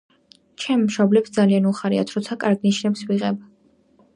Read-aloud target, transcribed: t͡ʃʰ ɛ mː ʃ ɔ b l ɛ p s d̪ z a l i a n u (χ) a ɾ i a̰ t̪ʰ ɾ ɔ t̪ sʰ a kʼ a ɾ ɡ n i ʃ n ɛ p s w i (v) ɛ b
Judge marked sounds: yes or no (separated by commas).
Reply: yes, no